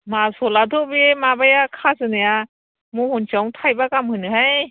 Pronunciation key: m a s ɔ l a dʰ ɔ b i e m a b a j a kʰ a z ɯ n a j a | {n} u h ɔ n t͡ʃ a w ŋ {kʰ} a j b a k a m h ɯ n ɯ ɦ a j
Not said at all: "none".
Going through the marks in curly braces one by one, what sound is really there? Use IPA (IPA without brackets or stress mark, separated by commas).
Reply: m, tʰ